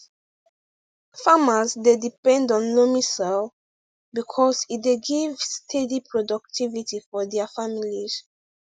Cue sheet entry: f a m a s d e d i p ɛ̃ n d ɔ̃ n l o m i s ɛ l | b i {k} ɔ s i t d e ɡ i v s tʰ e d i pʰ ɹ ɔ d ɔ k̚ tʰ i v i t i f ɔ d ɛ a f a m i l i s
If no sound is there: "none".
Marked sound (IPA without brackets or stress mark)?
kʰ